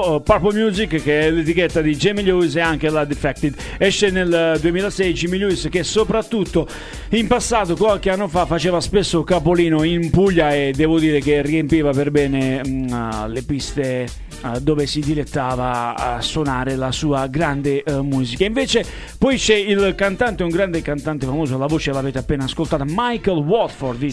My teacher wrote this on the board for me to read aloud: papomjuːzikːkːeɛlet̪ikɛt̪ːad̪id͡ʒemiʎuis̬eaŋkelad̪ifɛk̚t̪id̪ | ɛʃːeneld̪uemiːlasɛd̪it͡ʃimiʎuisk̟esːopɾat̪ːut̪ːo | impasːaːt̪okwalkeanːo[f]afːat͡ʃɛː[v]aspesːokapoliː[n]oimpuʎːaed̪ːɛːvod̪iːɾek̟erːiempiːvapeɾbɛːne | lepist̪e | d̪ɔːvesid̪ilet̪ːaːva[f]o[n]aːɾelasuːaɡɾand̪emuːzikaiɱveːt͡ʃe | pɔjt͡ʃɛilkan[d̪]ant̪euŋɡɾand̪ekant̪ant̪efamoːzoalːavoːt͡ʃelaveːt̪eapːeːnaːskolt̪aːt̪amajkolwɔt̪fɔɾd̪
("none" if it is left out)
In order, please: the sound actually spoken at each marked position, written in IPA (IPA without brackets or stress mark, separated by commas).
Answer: f, v, n, s, n, t̪